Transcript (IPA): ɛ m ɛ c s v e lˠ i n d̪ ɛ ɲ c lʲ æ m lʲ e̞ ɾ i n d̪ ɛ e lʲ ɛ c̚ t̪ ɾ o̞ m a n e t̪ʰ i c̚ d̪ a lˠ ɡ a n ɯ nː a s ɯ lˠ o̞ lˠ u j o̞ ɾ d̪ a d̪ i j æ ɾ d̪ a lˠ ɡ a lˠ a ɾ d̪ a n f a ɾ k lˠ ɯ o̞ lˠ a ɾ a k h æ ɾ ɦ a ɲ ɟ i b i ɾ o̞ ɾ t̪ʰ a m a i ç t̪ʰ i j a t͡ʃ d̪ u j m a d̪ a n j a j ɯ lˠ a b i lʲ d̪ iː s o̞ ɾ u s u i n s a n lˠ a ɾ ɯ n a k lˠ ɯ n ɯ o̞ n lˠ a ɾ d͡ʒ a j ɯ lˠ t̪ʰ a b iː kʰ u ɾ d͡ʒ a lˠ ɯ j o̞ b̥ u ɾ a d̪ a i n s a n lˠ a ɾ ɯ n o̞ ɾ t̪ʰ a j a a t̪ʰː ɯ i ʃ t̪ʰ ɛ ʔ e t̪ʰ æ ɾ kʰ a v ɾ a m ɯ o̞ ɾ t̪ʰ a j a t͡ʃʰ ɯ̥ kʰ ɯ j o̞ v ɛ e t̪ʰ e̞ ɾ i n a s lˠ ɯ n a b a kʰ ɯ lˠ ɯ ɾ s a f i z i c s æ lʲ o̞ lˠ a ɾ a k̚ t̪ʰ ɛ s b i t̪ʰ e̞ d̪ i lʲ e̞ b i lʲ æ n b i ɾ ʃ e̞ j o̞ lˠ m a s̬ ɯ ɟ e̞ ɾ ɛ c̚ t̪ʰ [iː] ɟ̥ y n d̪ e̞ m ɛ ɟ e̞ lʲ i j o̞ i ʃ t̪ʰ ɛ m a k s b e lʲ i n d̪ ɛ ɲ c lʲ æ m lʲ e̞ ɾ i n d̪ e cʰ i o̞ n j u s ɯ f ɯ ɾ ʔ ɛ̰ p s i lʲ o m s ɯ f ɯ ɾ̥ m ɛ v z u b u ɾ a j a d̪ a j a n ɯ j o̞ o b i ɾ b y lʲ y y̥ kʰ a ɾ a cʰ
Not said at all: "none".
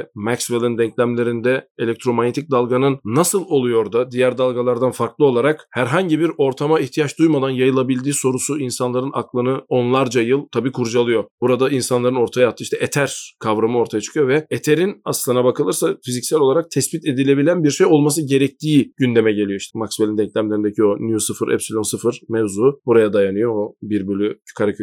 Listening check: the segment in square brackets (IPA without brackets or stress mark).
iː